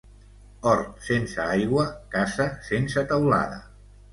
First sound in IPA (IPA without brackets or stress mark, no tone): ɔ